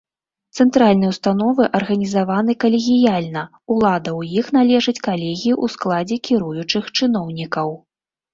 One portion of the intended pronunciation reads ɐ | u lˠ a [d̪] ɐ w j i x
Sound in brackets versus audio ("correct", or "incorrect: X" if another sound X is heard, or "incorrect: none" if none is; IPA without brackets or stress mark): correct